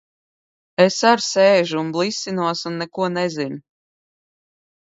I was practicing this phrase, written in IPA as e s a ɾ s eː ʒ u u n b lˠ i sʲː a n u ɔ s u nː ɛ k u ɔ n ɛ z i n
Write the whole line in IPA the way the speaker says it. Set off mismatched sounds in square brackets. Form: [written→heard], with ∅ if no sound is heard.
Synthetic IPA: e s a ɾ s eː ʒ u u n b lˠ i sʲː [a→i] n u ɔ s u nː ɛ k u ɔ n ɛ z i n